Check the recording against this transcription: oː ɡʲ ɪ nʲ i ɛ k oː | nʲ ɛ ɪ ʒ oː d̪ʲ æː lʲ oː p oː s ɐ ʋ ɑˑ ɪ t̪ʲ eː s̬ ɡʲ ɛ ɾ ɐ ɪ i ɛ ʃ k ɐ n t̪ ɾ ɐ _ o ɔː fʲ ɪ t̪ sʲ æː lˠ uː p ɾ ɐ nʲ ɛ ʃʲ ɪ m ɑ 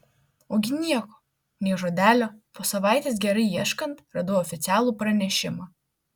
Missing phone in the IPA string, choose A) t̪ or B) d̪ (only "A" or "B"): B